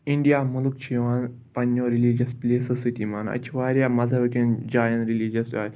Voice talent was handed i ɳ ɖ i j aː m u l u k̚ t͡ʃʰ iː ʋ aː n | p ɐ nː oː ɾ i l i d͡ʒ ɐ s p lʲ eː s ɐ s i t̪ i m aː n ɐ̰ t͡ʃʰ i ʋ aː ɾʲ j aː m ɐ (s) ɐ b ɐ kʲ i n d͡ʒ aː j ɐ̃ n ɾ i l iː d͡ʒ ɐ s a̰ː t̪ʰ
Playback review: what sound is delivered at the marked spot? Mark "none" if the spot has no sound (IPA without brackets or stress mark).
z